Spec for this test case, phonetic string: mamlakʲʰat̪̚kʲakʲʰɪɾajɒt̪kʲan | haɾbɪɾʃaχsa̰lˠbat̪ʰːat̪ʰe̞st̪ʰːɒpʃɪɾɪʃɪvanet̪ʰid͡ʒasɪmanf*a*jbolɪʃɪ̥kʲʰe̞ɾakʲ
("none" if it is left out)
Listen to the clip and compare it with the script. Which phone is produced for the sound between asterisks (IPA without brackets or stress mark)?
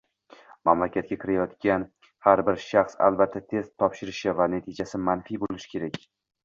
i